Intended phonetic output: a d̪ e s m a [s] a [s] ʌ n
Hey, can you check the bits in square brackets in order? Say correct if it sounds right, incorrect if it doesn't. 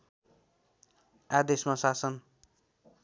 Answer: correct, correct

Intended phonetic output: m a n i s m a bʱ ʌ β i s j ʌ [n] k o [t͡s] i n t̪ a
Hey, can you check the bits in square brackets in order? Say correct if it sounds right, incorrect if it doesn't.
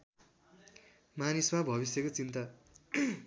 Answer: incorrect: none, correct

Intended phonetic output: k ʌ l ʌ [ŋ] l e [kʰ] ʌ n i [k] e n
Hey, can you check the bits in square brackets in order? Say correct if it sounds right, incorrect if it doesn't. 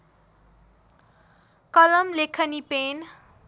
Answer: incorrect: m, correct, incorrect: p

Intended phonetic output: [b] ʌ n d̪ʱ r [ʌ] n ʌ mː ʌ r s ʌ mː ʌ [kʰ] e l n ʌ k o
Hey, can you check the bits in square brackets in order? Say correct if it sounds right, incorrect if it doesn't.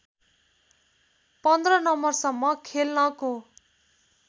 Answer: incorrect: p, correct, correct

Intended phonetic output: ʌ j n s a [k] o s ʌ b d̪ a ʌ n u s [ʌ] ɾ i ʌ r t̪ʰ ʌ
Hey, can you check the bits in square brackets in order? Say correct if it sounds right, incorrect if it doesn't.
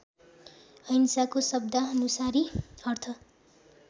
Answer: correct, incorrect: a

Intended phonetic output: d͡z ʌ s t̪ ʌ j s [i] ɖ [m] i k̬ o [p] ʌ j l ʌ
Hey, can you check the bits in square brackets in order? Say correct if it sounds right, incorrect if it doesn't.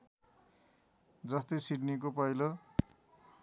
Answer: correct, incorrect: n, correct

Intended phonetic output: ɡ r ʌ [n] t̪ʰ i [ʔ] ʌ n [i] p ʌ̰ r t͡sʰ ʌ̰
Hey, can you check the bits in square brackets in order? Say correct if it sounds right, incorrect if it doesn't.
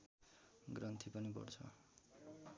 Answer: correct, incorrect: p, correct

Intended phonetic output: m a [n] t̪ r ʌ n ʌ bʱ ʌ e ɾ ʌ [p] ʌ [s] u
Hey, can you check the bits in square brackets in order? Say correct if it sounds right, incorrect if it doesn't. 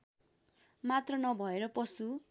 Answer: incorrect: none, correct, correct

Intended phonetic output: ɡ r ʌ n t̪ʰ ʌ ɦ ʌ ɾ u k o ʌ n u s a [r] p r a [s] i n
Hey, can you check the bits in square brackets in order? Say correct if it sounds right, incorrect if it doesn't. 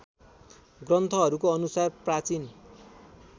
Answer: correct, incorrect: t͡s

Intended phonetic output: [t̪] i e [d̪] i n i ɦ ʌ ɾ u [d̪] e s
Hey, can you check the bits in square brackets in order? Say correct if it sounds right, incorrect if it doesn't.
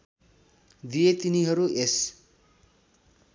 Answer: incorrect: d̪, incorrect: t̪, incorrect: none

